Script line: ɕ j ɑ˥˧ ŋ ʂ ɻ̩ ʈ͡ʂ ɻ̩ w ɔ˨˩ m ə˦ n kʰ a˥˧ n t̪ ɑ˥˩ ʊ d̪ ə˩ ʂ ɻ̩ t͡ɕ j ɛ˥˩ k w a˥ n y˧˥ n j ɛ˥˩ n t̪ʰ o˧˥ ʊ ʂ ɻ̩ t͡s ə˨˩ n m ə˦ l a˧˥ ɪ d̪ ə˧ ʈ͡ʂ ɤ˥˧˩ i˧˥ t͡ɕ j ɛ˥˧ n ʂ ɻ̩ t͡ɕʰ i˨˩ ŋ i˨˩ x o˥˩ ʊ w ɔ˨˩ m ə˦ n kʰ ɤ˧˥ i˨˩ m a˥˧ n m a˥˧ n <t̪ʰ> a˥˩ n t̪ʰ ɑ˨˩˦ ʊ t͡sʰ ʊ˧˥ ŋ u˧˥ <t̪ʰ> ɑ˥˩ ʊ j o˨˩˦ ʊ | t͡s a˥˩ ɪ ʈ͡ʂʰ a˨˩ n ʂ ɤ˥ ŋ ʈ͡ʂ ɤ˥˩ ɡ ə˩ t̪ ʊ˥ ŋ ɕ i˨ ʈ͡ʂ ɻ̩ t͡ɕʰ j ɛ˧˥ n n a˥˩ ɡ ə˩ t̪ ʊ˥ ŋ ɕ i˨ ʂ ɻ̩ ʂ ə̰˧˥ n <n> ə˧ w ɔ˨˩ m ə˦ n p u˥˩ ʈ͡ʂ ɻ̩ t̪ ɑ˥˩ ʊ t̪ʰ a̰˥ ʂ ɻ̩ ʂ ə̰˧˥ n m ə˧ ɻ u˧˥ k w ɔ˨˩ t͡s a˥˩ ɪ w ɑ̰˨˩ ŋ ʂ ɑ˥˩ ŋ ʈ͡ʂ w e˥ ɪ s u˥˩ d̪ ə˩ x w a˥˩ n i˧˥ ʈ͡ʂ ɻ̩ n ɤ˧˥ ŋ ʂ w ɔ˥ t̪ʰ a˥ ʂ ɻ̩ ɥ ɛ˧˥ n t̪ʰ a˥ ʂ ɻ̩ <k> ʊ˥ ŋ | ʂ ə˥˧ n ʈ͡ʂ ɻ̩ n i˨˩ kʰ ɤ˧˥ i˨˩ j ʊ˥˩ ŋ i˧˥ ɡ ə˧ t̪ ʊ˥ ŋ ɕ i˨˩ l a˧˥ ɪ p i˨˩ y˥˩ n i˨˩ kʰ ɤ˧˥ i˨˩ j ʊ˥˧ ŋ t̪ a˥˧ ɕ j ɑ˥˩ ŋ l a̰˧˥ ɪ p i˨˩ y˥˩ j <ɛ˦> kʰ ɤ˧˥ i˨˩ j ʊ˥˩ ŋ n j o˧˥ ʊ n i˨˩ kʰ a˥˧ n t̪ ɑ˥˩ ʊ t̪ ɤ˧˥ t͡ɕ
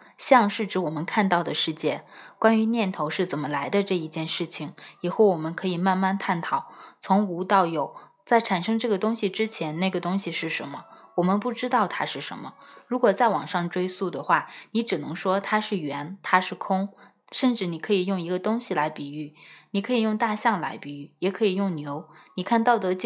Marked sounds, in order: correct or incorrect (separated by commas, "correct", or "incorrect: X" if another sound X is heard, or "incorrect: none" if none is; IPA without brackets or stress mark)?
correct, incorrect: t̪, incorrect: m, incorrect: kʰ, incorrect: ɛ˨˩